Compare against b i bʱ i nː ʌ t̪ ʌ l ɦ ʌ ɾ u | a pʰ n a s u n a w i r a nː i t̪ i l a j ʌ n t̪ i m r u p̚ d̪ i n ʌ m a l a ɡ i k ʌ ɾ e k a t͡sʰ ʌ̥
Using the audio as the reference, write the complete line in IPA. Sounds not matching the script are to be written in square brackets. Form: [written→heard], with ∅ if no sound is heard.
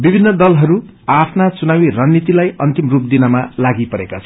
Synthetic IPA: b i bʱ i nː ʌ [t̪→d̪] ʌ l ɦ ʌ ɾ u | a pʰ n a [s→t͡s] u n a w i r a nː i t̪ i l a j ʌ n t̪ i m r u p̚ d̪ i n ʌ m a l a ɡ i [k→p] ʌ ɾ e k a t͡sʰ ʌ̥